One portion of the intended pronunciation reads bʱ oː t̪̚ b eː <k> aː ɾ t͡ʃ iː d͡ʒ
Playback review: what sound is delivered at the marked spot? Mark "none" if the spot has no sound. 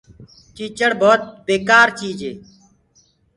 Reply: k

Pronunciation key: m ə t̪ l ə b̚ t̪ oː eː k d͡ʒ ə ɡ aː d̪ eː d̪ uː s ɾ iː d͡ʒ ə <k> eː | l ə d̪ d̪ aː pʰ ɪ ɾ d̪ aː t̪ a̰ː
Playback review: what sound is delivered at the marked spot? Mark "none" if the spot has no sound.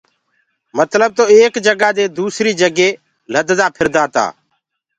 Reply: ɡ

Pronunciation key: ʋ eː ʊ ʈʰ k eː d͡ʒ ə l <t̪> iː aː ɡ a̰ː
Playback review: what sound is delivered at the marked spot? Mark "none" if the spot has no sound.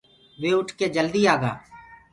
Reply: d̪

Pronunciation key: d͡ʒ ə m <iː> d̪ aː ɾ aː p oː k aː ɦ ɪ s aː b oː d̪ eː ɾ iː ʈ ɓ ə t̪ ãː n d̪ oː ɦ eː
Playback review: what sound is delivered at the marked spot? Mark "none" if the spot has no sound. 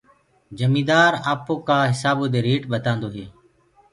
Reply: iː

